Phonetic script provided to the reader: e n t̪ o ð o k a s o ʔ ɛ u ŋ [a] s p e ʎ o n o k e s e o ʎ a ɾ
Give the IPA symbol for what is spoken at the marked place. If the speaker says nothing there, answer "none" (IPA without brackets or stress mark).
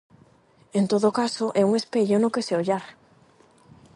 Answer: e